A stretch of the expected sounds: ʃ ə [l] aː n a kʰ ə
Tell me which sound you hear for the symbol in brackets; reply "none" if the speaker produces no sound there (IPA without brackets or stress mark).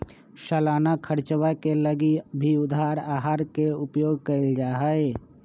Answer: l